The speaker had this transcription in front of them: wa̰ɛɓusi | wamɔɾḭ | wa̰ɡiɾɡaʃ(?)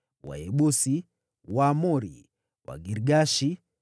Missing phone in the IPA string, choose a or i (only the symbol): i